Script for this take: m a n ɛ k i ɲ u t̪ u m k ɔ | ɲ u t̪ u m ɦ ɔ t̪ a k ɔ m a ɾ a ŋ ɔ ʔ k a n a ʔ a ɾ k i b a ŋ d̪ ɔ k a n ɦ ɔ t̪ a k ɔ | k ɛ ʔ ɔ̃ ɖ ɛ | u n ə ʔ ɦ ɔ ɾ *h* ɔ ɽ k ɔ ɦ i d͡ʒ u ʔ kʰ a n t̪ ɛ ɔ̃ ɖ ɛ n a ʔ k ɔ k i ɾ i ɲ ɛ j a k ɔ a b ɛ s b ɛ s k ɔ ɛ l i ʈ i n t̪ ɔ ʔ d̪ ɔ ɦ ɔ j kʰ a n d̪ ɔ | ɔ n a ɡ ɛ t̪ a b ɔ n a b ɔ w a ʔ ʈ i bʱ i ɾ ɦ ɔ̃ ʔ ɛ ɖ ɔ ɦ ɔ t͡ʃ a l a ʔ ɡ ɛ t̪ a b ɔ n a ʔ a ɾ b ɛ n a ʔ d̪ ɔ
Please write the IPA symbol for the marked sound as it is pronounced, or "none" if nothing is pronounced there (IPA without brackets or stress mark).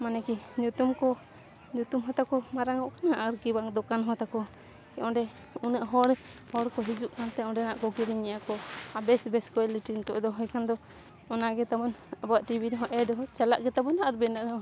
h